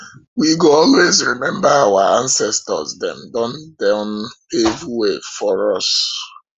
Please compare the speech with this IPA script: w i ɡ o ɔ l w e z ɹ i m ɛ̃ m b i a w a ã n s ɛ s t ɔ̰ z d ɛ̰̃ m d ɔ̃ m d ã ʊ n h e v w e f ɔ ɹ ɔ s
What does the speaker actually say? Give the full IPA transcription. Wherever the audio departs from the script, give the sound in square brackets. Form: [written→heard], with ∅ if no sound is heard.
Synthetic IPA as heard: w i ɡ o ɔ l w e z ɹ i m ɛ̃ m b [i→a] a w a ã n s ɛ s t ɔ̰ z d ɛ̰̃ m d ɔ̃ [m→n] d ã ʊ n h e v w e f ɔ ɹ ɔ s